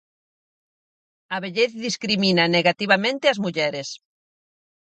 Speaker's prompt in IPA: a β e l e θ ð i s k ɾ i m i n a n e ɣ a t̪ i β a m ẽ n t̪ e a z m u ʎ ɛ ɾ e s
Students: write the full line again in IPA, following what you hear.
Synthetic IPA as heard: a β e ʎ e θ ð i s k ɾ i m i n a n e ɣ a t̪ i β a m ẽ n t̪ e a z m u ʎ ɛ ɾ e s